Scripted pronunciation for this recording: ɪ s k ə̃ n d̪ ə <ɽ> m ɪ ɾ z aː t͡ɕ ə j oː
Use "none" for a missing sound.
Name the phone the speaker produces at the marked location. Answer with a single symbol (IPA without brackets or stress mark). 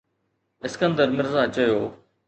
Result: ɾ